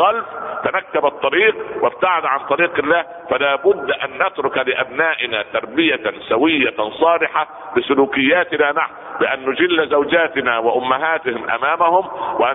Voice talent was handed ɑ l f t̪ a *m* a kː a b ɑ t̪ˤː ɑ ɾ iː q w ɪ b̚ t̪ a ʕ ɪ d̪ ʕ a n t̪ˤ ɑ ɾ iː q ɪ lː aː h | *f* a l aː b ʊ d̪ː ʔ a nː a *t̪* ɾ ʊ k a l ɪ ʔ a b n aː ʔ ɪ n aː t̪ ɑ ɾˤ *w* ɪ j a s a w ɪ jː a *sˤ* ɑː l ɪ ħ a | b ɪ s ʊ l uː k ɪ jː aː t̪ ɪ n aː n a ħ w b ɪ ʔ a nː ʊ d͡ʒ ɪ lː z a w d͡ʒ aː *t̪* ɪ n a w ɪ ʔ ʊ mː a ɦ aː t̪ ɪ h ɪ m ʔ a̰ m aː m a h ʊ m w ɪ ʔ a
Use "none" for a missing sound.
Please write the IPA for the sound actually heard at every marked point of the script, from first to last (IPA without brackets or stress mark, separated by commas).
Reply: n, f, t̪, b, sˤ, t̪